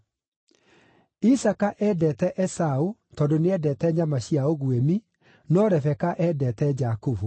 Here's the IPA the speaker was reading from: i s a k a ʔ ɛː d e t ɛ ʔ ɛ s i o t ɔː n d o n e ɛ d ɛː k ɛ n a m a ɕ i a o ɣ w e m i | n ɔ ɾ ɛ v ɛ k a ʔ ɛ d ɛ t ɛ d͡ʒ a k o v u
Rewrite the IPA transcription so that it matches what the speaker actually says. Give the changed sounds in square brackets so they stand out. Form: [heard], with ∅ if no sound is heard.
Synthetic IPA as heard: i s a k a ʔ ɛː d [ɛ] t ɛ ʔ ɛ s [a] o t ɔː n d o n e ɛ d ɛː [t] ɛ [ɲ] a m a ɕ i a o ɣ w e m i | n ɔ ɾ ɛ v ɛ k a ʔ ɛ d ɛ t ɛ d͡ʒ a k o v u

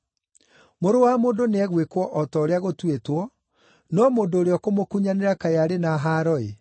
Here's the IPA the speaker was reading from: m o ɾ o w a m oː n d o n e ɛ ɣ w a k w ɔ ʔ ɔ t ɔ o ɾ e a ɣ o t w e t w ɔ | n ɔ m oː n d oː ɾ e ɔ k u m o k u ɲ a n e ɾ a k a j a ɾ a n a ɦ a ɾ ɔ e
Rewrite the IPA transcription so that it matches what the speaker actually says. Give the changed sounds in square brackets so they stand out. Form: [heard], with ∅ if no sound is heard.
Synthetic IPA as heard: m o ɾ o w a m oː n d o n e ɛ ɣ w [e] k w ɔ ʔ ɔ t ɔ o ɾ e a ɣ o t w e t w ɔ | n ɔ m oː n d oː ɾ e ɔ k [o] m o k u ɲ a n e ɾ a k a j a ɾ [e] n a ɦ a ɾ ɔ e

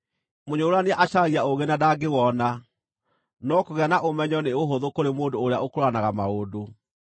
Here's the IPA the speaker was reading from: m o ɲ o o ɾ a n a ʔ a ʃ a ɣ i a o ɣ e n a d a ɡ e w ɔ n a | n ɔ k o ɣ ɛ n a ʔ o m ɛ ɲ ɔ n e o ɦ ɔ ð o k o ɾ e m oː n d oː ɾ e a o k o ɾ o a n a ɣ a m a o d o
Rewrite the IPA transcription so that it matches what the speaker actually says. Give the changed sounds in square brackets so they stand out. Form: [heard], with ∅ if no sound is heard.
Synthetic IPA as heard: m o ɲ o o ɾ a n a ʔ a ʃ a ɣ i a o ɣ e n a d a ɡ e w ɔ n a | n ɔ k o ɣ ɛ n a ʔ o m ɛ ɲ ɔ n e o ɦ [o] ð o k o ɾ e m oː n d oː ɾ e a o k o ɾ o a n a ɣ a m a o d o

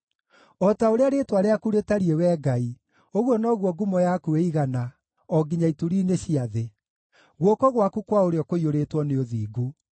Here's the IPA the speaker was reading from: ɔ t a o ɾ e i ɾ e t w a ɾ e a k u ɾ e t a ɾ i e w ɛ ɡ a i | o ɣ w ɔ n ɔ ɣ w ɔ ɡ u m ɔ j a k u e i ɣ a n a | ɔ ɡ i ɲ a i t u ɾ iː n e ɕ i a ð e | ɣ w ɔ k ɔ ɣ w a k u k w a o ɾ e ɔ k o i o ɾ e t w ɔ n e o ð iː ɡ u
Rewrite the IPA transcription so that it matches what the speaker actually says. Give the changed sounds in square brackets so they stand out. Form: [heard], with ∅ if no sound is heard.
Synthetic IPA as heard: ɔ t a o ɾ e [a] ɾ e t w a ɾ e a k u ɾ e t a ɾ i e w ɛ ɡ a i | o ɣ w ɔ n ɔ ɣ w ɔ ɡ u m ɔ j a k u e i ɣ a n a | ɔ ɡ i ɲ a i t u ɾ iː n e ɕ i a ð e | ɣ w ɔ k ɔ ɣ w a k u k w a o ɾ e ɔ k o i o ɾ e t w ɔ n e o ð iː ɡ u

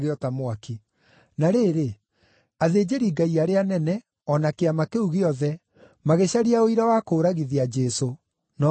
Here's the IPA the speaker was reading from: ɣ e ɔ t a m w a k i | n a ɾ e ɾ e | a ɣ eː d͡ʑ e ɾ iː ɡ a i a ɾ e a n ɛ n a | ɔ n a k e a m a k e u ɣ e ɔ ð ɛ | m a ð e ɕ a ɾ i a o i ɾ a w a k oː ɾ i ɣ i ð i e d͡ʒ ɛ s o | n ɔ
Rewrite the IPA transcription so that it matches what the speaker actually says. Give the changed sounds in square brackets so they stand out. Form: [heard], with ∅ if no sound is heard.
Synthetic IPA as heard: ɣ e ɔ t a m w a k i | n a ɾ e ɾ e | a [ð] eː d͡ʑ e ɾ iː ɡ a i a ɾ e a n ɛ n [ɛ] | ɔ n a k e a m a k e u ɣ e ɔ ð ɛ | m a [ɣ] e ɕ a ɾ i a o i ɾ a w a k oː ɾ [a] ɣ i ð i [a] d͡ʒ ɛ s o | n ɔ

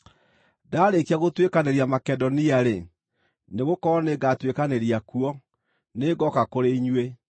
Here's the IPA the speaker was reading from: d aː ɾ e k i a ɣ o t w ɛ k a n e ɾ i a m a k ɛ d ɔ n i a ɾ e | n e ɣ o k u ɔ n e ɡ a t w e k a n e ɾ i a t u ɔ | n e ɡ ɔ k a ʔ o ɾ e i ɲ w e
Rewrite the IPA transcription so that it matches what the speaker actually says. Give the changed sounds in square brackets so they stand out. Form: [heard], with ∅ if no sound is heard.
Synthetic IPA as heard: d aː ɾ e k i a ɣ o t w [e] k a n e ɾ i a m a k ɛ d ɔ n i a ɾ e | n e ɣ o k [ɔ] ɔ n e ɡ a t w e k a n e ɾ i a [k] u ɔ | n e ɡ ɔ k a [k] o ɾ e i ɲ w e

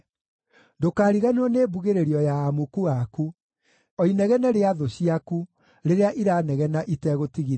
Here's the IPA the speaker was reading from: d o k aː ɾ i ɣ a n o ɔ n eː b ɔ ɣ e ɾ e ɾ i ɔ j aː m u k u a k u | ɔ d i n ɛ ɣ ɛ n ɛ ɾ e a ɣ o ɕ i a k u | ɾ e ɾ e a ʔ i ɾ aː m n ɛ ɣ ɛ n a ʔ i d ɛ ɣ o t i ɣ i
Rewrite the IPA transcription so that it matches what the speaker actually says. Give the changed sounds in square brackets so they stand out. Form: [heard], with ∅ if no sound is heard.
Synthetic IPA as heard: d o k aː ɾ i ɣ a n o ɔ n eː b [u] ɣ e ɾ e ɾ i ɔ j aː m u k u a k u | ɔ [∅] i n ɛ ɣ ɛ n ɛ ɾ e a [ð] o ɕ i a k u | ɾ e ɾ e a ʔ i ɾ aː [∅] n ɛ ɣ ɛ n a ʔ i [t] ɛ ɣ o t i ɣ i

